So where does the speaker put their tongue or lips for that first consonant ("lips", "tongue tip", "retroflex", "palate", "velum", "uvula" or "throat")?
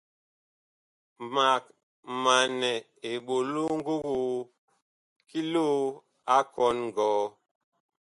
lips